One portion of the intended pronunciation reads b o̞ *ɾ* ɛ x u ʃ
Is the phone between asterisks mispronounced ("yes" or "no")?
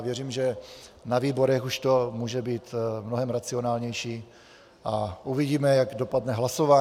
no